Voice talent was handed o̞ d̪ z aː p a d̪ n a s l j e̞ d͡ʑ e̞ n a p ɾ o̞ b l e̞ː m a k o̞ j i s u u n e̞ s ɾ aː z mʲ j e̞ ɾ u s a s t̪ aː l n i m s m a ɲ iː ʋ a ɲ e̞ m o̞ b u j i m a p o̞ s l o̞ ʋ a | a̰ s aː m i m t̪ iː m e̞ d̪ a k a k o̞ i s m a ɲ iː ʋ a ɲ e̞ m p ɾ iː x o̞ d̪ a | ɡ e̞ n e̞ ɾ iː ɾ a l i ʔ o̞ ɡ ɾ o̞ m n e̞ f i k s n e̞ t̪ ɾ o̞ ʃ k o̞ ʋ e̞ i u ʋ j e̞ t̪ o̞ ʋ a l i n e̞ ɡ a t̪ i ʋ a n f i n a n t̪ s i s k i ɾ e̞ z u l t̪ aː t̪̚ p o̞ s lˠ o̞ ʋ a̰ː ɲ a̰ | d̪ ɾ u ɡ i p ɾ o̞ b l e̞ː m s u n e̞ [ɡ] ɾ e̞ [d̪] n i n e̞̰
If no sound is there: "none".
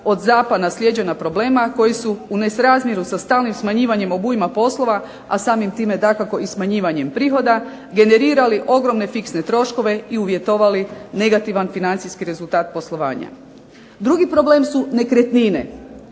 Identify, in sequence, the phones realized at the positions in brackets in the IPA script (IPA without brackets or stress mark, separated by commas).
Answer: k, t̪